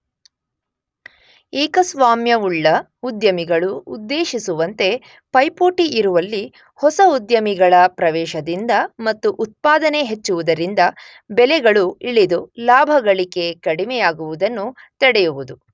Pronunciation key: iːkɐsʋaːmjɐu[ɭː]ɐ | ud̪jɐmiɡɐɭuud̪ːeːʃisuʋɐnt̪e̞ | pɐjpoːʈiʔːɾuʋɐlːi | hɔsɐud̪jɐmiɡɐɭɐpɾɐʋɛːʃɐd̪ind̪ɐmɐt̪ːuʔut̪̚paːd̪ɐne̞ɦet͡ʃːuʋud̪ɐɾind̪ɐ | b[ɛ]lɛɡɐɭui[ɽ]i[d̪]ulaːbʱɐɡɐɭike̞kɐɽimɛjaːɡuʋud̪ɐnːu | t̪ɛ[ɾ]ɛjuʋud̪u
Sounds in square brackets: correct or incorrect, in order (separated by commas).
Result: correct, correct, incorrect, correct, incorrect